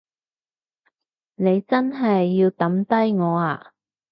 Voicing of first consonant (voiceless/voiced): voiced